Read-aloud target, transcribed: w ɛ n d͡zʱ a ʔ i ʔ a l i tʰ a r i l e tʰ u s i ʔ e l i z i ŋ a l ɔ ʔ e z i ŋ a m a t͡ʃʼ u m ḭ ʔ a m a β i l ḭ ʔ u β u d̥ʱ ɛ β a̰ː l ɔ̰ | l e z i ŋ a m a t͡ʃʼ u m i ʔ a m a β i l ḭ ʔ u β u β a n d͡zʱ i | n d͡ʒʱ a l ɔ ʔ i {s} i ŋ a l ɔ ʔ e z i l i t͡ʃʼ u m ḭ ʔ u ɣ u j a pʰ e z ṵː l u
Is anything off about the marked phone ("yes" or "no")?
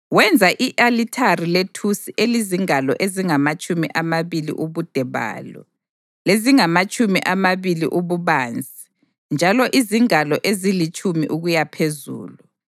yes